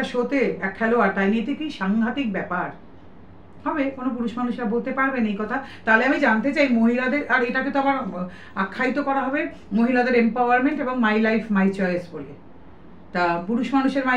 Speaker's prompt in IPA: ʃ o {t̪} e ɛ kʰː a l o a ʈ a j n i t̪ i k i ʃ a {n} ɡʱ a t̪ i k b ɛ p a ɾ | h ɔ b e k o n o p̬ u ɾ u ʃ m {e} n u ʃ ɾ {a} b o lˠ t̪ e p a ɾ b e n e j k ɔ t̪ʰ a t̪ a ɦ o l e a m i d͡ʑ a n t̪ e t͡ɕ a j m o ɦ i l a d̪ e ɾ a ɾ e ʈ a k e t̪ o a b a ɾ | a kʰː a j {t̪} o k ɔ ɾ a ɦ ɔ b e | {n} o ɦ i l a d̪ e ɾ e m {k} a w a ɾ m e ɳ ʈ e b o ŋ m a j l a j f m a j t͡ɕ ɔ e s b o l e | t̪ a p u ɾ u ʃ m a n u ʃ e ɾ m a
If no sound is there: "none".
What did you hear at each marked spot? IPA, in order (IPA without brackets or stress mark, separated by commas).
t̪, ŋ, a, a, t̪, m, p